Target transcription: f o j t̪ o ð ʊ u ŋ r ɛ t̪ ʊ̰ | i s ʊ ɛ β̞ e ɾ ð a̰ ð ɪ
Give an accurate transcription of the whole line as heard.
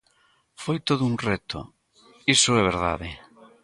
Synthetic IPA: f o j t̪ o ð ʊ u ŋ r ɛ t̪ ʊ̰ | i s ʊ ɛ β̞ e ɾ ð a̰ ð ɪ